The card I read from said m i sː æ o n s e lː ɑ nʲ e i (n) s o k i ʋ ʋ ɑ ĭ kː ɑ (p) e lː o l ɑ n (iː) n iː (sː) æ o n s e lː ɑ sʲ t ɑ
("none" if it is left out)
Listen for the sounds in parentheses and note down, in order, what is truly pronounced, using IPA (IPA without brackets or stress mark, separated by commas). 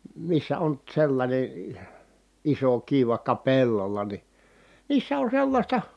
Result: none, p, i, sː